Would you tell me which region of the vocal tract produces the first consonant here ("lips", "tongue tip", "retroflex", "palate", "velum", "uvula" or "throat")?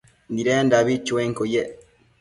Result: tongue tip